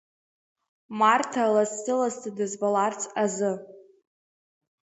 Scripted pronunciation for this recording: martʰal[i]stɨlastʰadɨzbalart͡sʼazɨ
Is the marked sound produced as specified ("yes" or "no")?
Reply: no